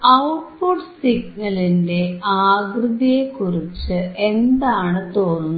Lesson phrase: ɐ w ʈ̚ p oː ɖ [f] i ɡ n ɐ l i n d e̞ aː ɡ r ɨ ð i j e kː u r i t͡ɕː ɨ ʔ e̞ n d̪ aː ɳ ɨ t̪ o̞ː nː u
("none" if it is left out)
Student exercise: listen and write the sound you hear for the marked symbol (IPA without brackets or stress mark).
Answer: s